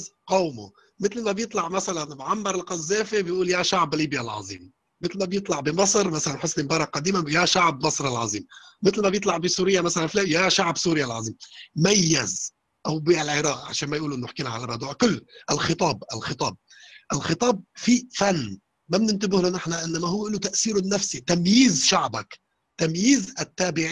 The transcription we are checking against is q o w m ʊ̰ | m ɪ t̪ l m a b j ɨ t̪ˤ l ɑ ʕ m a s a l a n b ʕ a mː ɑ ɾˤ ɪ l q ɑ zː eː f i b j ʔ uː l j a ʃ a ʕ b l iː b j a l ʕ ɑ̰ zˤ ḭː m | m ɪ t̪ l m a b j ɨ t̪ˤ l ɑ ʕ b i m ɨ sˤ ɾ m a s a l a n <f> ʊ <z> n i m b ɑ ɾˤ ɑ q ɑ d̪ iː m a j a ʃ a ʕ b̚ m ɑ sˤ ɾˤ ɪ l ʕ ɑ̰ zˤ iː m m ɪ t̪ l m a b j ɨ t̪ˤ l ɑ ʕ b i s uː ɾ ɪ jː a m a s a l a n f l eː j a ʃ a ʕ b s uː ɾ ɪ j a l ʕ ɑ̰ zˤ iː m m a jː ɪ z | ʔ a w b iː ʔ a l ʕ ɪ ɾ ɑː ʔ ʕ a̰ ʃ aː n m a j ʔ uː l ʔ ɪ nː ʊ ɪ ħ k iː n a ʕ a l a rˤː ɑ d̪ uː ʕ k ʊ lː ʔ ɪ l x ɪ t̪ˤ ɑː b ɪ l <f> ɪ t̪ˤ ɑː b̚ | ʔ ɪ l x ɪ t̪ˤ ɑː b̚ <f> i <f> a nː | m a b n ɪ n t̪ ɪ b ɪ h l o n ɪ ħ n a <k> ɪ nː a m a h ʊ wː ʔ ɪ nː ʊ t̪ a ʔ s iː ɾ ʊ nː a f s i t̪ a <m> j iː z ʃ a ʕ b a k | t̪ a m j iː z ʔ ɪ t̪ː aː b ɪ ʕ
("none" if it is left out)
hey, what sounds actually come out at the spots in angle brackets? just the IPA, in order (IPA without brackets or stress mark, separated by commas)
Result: ħ, s, x, f, f, ʔ, m